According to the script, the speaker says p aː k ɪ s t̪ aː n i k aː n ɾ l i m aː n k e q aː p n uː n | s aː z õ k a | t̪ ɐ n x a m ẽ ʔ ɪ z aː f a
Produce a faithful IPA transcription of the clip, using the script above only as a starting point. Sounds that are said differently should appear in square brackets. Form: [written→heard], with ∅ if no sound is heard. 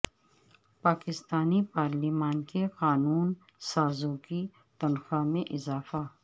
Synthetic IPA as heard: p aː k ɪ s t̪ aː n i [k→p] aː [n→∅] ɾ l i m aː n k e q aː [p→∅] n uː n | s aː z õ k [a→i] | t̪ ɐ n x a m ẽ ʔ ɪ z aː f a